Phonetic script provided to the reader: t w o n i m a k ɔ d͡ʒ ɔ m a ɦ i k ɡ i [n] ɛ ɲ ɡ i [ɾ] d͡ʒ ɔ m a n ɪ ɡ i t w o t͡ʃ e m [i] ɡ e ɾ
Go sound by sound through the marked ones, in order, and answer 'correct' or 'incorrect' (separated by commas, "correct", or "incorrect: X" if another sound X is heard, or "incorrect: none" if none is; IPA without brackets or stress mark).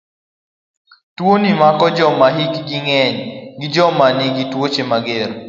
incorrect: ŋ, incorrect: none, incorrect: a